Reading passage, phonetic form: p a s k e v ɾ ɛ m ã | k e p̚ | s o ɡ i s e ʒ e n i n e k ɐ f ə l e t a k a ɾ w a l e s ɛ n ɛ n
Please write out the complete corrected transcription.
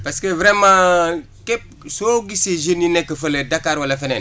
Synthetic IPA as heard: p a s k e v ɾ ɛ m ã | k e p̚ | s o ɡ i s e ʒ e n i n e k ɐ f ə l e d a k a ɾ w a l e f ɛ n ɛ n